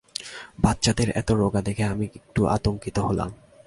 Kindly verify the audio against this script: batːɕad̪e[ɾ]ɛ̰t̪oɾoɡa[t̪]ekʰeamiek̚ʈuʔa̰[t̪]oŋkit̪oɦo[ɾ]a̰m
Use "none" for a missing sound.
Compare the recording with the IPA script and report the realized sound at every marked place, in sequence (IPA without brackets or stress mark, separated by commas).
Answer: ɾ, d̪, t̪, l